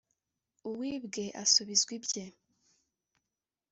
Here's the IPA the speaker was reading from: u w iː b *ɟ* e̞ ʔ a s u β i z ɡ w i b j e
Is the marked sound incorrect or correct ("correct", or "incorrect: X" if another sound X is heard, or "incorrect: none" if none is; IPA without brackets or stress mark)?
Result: incorrect: ɡ